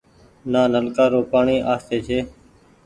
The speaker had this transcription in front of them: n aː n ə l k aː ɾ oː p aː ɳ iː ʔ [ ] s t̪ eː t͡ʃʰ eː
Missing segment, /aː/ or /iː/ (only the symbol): aː